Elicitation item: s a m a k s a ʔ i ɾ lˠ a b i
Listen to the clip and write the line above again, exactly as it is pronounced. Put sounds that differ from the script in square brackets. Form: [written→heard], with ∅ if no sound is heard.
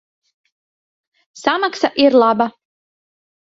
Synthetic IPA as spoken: s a m a k s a ʔ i ɾ lˠ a b [i→a]